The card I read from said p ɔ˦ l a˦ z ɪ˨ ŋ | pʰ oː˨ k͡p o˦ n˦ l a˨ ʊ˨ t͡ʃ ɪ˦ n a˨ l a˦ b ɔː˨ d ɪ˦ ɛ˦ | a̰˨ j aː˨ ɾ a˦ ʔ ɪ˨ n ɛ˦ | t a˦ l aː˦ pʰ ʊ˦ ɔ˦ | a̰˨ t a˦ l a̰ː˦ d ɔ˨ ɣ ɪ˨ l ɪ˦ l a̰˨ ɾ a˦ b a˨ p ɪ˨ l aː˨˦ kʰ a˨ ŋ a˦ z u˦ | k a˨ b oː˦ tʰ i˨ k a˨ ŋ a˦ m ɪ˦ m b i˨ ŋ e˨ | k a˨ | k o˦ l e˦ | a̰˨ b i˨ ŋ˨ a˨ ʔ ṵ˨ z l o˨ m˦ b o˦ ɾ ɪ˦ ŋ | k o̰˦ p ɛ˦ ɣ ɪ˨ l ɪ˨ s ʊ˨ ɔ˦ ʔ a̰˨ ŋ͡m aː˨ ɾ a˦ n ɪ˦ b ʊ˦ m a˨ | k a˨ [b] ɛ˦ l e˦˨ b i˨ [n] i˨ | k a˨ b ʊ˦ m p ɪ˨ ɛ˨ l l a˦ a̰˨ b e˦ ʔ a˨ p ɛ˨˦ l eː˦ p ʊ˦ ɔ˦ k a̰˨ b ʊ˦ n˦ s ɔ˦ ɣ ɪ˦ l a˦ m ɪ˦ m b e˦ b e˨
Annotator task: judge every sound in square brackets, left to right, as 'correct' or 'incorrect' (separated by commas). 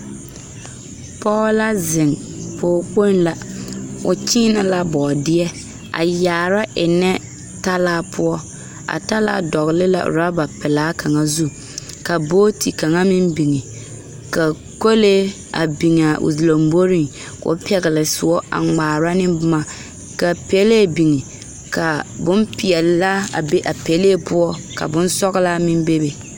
incorrect, incorrect